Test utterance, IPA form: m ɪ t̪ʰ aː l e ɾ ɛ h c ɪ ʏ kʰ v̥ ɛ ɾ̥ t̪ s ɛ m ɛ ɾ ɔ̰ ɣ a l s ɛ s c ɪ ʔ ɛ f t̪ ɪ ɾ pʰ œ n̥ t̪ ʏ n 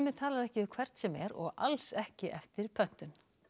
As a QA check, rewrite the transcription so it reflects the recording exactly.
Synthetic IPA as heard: m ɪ t̪ʰ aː l a ɾ ɛ h c ɪ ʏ kʰ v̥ ɛ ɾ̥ t̪ s ɛ m ɛ ɾ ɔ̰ ɣ a l s ɛ h c ɪ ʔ ɛ f t̪ ɪ ɾ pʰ œ n̥ t̪ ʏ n